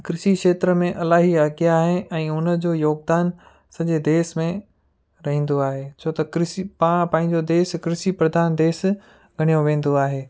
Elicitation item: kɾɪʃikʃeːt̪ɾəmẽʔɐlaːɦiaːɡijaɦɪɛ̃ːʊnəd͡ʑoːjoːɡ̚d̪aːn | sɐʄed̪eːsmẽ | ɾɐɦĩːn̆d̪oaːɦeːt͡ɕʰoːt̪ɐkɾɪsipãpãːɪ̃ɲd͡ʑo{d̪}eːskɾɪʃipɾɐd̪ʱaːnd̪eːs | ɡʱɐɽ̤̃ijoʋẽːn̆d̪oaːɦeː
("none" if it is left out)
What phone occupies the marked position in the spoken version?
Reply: d̪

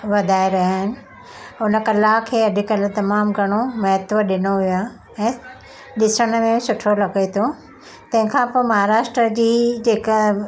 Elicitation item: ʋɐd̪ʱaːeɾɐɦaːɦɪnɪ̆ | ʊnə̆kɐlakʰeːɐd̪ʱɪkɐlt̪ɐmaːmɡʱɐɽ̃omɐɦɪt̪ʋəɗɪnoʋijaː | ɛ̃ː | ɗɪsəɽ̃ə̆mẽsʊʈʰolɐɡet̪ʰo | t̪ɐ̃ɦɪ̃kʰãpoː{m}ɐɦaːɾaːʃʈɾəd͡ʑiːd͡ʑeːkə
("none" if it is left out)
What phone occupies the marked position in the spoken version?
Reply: m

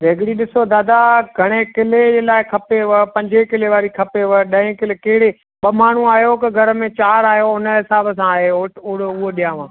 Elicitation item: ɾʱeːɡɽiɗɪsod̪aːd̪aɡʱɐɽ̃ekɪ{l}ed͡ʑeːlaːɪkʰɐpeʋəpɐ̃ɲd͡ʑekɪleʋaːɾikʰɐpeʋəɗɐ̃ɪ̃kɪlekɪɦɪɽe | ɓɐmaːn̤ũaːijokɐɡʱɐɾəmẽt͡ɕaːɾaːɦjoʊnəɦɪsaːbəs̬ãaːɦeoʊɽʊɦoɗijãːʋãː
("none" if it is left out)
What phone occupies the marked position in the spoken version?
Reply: l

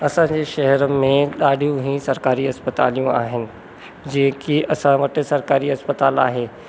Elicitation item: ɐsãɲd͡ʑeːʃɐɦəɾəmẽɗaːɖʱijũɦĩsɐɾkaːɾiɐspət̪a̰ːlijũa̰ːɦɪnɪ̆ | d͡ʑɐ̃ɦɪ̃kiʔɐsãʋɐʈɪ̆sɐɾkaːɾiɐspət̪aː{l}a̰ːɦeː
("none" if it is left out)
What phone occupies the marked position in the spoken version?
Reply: l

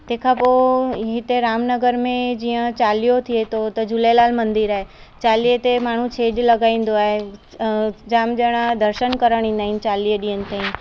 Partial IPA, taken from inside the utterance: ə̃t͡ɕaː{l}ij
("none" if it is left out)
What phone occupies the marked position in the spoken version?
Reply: l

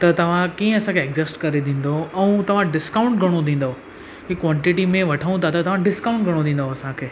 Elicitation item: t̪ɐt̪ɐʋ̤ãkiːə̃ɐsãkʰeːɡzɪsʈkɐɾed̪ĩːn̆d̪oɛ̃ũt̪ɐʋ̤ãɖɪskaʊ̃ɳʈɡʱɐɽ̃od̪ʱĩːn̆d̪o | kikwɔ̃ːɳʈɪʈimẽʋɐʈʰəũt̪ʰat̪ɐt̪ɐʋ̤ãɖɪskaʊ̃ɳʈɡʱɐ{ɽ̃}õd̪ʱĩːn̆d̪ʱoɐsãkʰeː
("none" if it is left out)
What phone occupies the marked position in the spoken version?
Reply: ɽ̃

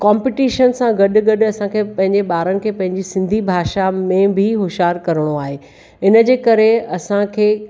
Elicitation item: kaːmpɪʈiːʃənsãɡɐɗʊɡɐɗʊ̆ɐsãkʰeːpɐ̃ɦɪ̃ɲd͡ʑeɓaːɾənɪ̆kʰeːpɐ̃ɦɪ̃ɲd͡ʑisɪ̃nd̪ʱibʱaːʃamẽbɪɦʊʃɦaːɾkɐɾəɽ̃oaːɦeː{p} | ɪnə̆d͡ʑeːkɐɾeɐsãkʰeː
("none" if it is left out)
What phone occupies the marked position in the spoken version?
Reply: none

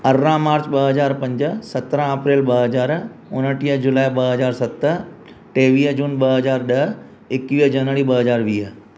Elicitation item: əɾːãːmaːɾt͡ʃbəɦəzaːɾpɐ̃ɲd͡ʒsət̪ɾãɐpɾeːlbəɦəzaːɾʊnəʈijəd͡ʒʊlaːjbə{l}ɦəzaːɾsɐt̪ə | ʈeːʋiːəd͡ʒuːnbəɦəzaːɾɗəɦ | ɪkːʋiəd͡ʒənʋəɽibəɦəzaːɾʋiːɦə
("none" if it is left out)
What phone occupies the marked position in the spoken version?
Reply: none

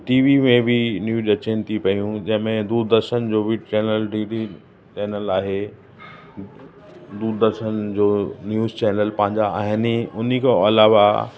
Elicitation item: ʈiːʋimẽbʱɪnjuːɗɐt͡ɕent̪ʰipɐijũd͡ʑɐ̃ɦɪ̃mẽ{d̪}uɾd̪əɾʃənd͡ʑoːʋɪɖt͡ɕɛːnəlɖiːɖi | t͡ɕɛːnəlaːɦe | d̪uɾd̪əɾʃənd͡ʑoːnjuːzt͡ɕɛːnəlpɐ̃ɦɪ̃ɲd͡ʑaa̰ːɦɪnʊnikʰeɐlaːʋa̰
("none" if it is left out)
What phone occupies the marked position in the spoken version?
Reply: d̪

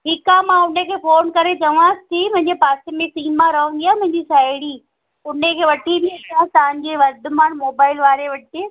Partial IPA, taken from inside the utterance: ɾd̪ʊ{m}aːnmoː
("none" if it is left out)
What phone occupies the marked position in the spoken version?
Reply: m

